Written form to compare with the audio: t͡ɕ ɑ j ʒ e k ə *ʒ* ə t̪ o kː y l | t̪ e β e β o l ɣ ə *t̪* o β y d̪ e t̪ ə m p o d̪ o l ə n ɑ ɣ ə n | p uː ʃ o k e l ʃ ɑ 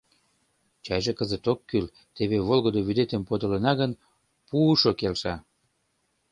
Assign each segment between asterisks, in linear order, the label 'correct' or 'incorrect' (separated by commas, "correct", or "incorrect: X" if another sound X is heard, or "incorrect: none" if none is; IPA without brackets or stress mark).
incorrect: z, incorrect: d̪